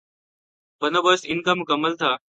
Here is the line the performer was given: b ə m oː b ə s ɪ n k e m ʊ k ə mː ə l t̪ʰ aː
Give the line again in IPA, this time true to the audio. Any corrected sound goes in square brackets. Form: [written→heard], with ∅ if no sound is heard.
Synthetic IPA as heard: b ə [m→n] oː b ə s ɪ n k [e→a] m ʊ k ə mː ə l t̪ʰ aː